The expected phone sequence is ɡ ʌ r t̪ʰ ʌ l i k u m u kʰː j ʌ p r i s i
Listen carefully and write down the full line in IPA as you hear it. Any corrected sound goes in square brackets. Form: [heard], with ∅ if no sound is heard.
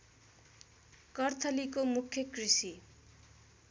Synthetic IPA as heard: [k] ʌ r t̪ʰ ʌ l i k [o] m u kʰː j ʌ [k] r i s i